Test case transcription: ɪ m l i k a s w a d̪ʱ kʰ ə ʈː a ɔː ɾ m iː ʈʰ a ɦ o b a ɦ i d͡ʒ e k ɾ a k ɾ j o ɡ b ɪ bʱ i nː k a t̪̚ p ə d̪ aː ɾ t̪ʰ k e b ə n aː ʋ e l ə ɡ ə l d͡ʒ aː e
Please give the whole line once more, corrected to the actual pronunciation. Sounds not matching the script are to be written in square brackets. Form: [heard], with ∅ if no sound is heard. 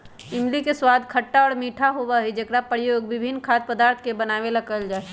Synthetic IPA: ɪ m l i k [e] s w a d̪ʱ kʰ ə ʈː a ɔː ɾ m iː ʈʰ a ɦ o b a ɦ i d͡ʒ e k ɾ a [p] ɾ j o ɡ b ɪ bʱ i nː [kʰ] a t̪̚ p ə d̪ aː ɾ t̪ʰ k e b ə n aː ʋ e l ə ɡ ə l d͡ʒ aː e